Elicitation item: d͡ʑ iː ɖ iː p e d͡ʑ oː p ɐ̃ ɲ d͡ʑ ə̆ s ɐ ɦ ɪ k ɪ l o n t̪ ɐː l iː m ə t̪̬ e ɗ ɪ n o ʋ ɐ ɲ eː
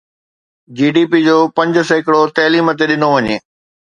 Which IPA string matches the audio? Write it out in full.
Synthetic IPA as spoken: d͡ʑ iː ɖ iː p i d͡ʑ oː p ɐ̃ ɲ d͡ʑ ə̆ s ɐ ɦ ɪ k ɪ ɽ o t̪ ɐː l iː m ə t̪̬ e ɗ ɪ n o ʋ ɐ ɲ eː